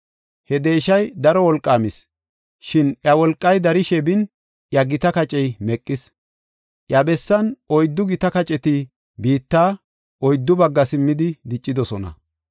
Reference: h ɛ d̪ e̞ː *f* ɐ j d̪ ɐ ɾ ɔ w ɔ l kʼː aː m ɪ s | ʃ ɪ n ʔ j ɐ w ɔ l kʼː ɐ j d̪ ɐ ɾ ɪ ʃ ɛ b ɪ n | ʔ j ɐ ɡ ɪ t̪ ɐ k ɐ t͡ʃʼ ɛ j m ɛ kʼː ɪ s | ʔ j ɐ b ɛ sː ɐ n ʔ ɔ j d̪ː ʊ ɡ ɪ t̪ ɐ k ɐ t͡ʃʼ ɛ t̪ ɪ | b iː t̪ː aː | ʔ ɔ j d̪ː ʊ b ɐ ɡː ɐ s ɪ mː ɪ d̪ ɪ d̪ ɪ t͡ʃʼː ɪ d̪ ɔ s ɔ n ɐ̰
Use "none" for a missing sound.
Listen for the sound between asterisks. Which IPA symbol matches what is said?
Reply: ʃ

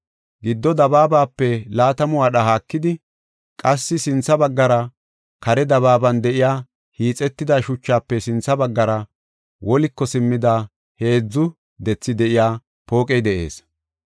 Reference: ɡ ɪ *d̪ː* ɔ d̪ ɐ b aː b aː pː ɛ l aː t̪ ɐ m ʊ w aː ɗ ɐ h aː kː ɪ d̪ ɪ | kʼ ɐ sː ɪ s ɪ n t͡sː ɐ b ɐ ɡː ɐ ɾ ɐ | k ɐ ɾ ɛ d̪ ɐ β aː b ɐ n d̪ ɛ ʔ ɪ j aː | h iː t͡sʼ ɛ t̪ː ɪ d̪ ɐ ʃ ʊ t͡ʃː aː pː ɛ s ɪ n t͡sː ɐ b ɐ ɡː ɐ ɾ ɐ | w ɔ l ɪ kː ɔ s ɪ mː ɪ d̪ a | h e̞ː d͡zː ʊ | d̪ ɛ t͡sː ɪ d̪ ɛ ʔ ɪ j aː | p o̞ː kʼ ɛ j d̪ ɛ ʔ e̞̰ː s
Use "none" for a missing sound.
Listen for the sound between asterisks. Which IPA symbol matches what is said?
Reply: d̪ː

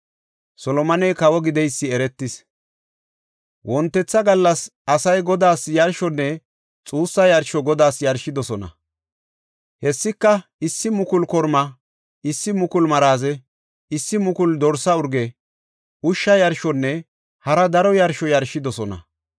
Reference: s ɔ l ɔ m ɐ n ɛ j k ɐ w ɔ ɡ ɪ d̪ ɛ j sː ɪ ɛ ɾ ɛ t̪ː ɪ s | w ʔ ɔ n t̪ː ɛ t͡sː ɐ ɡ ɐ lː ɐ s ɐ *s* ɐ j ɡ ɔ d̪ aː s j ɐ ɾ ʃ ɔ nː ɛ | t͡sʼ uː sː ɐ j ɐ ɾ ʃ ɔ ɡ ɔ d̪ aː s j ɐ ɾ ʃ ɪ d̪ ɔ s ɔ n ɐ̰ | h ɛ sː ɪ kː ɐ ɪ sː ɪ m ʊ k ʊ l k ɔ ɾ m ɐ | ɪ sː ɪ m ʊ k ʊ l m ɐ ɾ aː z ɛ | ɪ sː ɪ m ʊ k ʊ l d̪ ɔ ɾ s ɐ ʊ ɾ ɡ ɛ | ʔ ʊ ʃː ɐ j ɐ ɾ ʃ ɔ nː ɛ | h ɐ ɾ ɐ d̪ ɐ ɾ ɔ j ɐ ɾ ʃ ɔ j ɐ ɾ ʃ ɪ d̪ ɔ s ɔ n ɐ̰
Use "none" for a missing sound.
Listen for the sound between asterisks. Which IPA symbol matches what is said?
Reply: s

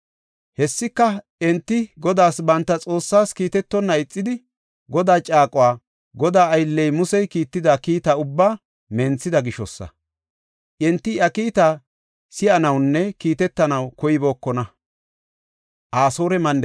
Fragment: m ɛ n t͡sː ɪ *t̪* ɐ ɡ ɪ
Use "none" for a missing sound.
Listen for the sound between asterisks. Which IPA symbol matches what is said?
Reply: d̪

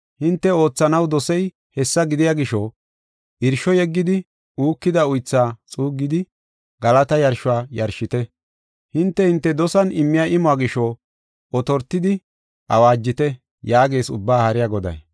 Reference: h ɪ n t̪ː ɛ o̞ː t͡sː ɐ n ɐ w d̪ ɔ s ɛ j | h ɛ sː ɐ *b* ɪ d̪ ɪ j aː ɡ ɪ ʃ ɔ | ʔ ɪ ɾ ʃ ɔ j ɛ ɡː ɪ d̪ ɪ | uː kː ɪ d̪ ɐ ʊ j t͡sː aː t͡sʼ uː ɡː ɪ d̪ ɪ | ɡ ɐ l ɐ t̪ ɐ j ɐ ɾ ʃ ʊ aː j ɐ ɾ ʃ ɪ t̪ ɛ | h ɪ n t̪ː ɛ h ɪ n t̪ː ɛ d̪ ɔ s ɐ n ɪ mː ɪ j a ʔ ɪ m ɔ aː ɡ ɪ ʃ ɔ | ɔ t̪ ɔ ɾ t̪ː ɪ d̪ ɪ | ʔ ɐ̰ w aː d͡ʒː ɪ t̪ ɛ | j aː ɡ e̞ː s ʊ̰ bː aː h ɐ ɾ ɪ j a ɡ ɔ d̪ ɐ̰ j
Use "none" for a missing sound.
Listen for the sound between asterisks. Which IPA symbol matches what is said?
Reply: ɡ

